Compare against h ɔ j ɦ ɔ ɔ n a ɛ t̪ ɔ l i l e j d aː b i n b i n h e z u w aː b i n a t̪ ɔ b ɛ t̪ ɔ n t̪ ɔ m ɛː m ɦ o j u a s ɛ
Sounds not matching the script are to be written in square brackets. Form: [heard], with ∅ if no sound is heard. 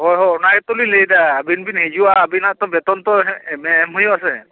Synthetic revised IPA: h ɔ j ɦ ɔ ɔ n a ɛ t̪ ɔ l i l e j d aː b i n b i n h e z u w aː b i n a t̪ ɔ b ɛ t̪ ɔ n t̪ ɔ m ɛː m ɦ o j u a s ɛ